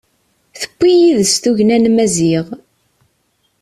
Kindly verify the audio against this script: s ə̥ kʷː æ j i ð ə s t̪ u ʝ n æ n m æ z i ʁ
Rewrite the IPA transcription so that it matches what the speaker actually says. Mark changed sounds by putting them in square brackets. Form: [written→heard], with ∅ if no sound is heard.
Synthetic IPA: [s→θ] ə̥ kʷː [æ→i] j i ð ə s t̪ u ʝ n æ n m æ z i ʁ